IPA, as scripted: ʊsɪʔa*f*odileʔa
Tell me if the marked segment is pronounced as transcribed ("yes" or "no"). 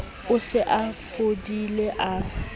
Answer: yes